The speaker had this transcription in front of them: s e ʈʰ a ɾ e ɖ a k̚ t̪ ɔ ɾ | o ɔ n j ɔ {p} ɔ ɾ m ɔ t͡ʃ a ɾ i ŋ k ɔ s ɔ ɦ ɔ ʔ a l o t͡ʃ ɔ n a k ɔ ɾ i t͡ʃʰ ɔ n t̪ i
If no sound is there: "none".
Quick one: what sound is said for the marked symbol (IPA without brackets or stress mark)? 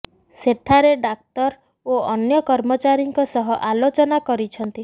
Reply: k